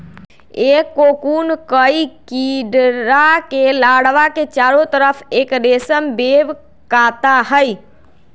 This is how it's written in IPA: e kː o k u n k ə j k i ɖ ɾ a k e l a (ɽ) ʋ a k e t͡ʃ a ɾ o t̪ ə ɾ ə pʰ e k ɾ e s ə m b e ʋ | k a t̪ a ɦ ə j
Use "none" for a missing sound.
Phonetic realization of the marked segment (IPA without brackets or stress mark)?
ɽ